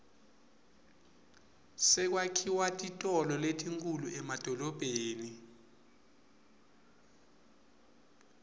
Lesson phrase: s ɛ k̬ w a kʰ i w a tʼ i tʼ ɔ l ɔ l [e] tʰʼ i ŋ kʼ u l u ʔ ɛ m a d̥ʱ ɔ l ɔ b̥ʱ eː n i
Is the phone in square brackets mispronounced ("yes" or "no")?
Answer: no